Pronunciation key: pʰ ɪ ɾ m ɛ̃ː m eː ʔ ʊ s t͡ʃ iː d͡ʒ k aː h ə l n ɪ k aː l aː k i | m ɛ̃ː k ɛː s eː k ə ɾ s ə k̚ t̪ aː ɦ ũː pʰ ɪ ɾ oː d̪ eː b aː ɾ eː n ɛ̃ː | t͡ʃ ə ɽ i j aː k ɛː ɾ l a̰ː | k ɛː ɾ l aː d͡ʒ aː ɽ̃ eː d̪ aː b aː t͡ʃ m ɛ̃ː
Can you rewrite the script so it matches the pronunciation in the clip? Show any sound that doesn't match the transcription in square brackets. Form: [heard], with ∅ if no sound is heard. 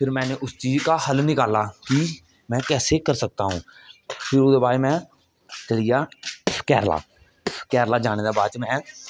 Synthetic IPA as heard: pʰ ɪ ɾ m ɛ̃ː [n] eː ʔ ʊ s t͡ʃ iː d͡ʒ k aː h ə l n ɪ k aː l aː k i | m ɛ̃ː k ɛː s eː k ə ɾ s ə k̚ t̪ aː ɦ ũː pʰ ɪ ɾ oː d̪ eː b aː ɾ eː [m] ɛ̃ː | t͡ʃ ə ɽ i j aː k ɛː ɾ l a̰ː | k ɛː ɾ l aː d͡ʒ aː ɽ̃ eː d̪ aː b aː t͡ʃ m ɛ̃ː